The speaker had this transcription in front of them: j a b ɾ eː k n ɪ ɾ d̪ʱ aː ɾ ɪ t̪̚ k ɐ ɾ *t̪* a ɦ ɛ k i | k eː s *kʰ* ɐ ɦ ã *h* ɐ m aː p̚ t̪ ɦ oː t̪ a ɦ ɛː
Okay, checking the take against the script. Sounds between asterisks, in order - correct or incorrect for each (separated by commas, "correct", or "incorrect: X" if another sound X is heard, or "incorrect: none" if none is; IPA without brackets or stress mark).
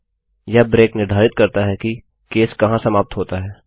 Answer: correct, incorrect: k, incorrect: s